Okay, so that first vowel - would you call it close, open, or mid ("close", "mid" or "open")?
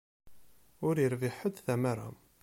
close